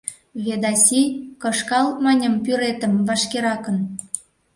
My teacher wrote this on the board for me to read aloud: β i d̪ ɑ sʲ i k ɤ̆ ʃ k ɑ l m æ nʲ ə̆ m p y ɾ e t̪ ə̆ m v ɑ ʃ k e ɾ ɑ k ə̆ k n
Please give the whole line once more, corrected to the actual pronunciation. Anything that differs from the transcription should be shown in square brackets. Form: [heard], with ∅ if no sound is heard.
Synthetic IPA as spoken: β [e] d̪ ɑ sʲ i k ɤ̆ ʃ k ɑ l m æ nʲ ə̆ m p y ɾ e t̪ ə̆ m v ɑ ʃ k e ɾ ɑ k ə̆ [∅] n